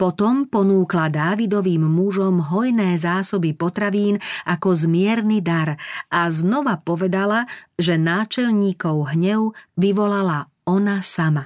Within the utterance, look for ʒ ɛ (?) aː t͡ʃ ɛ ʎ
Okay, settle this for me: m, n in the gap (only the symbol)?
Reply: n